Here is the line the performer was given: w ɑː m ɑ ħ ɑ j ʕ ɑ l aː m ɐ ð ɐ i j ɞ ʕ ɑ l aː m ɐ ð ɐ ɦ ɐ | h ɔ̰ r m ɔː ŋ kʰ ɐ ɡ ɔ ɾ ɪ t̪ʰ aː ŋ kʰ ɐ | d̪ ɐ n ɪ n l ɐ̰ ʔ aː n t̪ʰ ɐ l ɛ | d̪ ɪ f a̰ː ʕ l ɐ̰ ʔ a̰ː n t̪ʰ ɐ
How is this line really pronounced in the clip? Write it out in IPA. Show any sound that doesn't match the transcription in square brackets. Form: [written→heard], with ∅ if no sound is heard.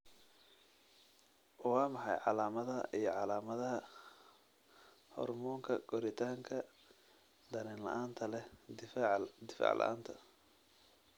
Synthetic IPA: w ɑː m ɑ ħ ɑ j ʕ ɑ l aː m ɐ ð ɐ i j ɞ ʕ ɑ l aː m ɐ ð ɐ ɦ ɐ | h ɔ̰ r m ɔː ŋ kʰ ɐ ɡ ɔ ɾ ɪ t̪ʰ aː ŋ kʰ ɐ | d̪ ɐ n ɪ n l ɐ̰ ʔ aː n t̪ʰ ɐ l ɛ | d̪ ɪ f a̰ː ʕ l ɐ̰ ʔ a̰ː n t̪ʰ ɐ